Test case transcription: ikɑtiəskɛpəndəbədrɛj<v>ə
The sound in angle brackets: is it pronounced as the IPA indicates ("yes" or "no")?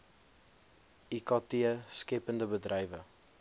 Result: yes